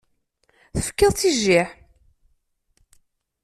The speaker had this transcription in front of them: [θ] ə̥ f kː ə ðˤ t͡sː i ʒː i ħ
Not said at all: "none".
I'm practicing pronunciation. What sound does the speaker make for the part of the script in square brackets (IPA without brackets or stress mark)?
θ